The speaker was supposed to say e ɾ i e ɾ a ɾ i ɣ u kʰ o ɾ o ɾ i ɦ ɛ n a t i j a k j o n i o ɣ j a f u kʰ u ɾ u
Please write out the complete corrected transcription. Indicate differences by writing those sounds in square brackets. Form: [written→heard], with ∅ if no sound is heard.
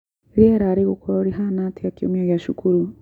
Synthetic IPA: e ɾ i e ɾ a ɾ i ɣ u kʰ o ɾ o ɾ i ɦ [ɛ→a] n a t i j a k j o [n→m] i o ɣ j a [f→ʃ] u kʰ u ɾ u